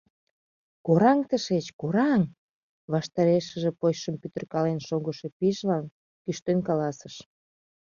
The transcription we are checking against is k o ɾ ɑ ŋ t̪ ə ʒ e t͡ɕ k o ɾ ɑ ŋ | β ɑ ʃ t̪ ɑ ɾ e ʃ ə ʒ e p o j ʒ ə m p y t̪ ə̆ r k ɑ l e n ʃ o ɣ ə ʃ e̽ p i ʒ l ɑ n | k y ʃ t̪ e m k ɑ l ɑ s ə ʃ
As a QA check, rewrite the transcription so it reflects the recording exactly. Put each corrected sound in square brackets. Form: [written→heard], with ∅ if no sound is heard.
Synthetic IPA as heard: k o ɾ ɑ ŋ t̪ ə [ʒ→ʃ] e t͡ɕ k o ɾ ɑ ŋ | β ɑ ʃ t̪ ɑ ɾ e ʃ ə ʒ e p o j [ʒ→ʃ] ə m p y t̪ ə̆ r k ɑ l e n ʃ o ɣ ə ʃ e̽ p i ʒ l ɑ n | k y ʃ t̪ e [m→n] k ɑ l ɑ s ə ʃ